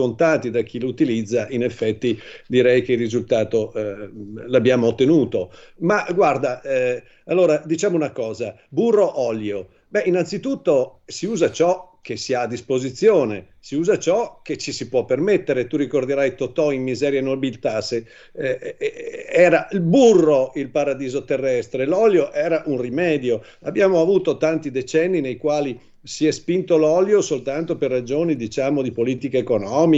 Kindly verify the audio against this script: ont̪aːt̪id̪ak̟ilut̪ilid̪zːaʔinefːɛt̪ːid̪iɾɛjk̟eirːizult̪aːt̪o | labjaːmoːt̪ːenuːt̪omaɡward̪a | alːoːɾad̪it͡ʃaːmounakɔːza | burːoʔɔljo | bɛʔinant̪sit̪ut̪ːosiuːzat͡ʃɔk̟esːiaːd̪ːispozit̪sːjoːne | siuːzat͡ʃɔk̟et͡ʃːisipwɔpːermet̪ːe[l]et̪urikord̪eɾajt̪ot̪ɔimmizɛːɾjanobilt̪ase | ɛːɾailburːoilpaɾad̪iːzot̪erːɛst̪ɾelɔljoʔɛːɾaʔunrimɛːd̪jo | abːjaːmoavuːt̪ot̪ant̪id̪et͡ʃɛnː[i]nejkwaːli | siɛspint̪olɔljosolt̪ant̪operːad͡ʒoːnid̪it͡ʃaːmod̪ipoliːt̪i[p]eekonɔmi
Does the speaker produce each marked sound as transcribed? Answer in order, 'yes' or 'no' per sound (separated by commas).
no, yes, no